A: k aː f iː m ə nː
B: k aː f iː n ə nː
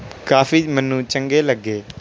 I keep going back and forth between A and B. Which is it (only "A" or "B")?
A